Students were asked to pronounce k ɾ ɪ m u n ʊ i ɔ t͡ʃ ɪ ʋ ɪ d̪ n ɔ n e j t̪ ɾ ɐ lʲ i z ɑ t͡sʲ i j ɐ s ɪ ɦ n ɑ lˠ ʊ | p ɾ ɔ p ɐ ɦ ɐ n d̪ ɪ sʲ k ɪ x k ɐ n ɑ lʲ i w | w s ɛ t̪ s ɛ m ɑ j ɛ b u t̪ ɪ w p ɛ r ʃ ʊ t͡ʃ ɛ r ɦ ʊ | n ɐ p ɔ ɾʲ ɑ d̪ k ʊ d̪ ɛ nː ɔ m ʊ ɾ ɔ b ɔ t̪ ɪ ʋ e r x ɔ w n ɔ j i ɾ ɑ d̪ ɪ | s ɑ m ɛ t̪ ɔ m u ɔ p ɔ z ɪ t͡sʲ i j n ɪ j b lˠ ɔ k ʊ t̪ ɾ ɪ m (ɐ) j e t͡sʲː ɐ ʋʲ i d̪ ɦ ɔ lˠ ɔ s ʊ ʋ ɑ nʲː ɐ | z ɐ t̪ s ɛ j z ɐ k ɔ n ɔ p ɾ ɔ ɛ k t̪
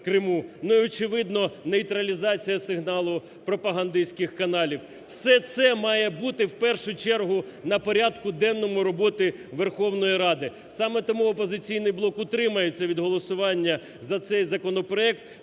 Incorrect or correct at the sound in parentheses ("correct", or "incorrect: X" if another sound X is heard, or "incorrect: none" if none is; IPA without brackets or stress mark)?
correct